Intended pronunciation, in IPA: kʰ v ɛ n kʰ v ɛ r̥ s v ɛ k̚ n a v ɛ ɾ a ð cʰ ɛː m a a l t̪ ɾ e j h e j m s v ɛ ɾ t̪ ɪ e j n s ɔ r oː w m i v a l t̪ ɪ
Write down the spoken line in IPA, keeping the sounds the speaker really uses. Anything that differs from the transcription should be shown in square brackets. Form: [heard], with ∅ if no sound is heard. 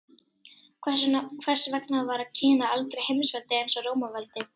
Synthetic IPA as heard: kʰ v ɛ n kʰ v ɛ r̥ s v ɛ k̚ n a v [a] ɾ a ð cʰ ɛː [n] a a l t̪ ɾ e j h e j m s v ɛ [l] t̪ ɪ e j n s ɔ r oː w m [a] v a l t̪ ɪ